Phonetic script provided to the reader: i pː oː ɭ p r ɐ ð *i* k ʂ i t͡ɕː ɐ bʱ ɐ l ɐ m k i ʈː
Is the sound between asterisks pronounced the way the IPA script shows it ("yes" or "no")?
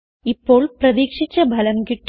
no